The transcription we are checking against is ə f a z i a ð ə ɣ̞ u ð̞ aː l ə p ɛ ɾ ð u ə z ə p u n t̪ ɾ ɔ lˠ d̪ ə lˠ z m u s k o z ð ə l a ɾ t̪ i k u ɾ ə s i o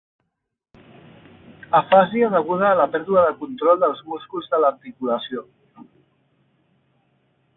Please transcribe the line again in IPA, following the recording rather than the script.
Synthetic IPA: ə f a z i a ð ə ɣ̞ u ð̞ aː l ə p ɛ ɾ ð u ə ð ə k u n t̪ ɾ ɔ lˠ d̪ ə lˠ z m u s k u z ð ə l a ɾ t̪ i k u l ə s i o